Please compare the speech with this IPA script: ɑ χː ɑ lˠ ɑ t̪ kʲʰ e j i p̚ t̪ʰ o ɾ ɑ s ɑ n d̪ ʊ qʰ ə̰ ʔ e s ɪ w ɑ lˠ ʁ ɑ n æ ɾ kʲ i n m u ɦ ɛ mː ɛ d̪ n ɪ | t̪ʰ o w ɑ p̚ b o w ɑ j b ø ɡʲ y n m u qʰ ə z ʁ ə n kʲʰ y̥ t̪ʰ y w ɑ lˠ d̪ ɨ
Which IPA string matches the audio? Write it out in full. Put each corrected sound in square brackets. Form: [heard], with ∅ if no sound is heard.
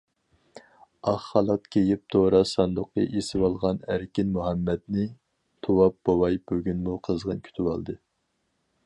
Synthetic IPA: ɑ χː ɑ lˠ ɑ t̪ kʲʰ e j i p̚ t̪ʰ o ɾ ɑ s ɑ n d̪ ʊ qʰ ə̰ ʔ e s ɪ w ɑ lˠ ʁ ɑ n æ ɾ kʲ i n m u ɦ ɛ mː ɛ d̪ n ɪ | t̪ʰ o w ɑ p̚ b o w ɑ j b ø ɡʲ y n m u qʰ ə z ʁ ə n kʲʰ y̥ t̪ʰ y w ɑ lˠ d̪ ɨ